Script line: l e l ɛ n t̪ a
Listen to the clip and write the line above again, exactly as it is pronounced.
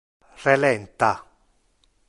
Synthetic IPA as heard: r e l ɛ n t̪ a